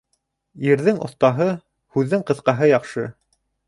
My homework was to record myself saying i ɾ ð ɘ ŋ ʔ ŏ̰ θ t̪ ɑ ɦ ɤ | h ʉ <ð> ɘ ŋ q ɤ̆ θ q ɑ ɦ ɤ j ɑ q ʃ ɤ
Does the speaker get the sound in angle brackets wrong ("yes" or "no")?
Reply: yes